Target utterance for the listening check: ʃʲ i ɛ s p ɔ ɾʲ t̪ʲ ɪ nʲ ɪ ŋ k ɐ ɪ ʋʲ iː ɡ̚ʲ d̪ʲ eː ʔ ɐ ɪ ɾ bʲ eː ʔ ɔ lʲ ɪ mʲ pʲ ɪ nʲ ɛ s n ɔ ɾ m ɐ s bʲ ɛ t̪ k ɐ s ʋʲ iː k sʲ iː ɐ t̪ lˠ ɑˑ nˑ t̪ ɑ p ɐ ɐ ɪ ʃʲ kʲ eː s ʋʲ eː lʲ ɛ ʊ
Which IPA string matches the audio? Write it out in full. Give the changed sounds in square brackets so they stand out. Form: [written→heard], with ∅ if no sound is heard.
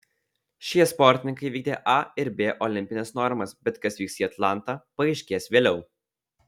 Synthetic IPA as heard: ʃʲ i ɛ s p ɔ ɾʲ t̪ʲ ɪ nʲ ɪ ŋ k ɐ ɪ ʋʲ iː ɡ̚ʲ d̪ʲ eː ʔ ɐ ɪ ɾ bʲ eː ʔ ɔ lʲ ɪ mʲ pʲ ɪ nʲ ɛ s n ɔ ɾ m ɐ s bʲ ɛ t̪ k ɐ s ʋʲ iː k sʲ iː ɐ t̪ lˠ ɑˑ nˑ t̪ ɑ p ɐ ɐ ɪ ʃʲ kʲ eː s ʋʲ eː lʲ ɛ ʊ